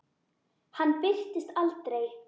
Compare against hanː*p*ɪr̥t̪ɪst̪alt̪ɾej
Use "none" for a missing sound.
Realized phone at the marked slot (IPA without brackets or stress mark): p